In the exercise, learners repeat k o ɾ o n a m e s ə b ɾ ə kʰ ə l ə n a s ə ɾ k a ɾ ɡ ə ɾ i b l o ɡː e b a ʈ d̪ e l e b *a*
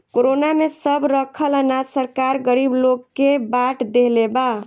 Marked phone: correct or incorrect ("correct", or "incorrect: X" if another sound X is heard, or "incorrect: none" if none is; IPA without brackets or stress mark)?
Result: correct